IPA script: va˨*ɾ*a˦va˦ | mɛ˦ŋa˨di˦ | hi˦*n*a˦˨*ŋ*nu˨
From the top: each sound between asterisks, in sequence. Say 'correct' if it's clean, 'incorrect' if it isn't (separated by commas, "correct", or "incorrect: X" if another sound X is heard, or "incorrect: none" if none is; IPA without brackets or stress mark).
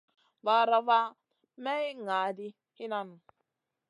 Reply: correct, correct, incorrect: none